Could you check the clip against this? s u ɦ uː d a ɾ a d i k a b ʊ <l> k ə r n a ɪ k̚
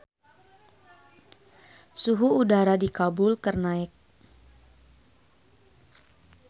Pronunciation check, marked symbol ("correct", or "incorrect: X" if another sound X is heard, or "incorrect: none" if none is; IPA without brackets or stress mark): correct